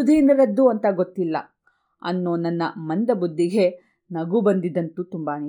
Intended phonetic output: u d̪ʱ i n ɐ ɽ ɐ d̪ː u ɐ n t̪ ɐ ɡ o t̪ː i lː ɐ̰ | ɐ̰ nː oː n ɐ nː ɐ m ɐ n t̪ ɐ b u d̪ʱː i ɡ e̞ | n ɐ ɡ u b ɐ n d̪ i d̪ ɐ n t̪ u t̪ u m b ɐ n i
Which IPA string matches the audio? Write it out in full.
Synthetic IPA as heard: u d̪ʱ i n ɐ ɾ ɐ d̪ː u ɐ n t̪ ɐ ɡ o t̪ː i lː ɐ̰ | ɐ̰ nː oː n ɐ nː ɐ m ɐ n d̪ ɐ b u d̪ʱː i ɡ e̞ | n ɐ ɡ u b ɐ n d̪ i d̪ ɐ n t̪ u t̪ u m b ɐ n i